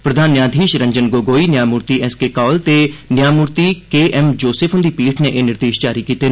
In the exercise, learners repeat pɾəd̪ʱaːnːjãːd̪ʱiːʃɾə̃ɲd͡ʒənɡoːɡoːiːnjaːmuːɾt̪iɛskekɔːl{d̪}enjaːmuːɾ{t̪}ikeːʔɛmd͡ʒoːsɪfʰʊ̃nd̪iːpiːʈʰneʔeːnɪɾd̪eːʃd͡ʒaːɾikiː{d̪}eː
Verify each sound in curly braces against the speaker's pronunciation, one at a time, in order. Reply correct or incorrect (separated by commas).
incorrect, correct, incorrect